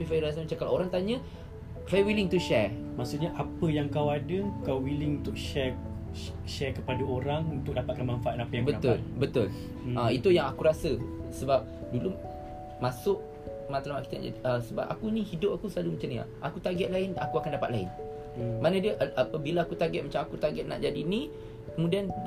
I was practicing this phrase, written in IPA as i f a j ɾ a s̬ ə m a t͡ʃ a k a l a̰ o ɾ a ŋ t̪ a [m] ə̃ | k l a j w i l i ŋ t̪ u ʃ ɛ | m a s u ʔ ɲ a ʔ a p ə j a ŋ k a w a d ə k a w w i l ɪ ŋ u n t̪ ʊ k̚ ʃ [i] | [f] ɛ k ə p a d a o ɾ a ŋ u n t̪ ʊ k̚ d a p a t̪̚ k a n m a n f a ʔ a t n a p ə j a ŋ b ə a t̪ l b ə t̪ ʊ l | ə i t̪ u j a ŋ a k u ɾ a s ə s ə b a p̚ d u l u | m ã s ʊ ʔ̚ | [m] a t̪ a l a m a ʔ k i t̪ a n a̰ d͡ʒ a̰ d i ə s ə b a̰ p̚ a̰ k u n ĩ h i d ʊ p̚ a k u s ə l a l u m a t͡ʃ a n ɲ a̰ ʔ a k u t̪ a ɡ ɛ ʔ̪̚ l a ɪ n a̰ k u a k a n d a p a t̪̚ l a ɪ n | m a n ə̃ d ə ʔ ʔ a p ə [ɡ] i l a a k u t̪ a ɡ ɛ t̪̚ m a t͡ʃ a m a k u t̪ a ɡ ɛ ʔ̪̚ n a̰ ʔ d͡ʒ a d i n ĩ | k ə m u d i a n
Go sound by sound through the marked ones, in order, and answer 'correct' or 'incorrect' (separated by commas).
incorrect, incorrect, incorrect, correct, incorrect